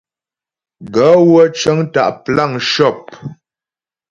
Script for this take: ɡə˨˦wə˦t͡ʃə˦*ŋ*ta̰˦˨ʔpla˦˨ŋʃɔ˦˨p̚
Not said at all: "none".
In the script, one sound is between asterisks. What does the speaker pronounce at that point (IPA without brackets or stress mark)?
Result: ŋ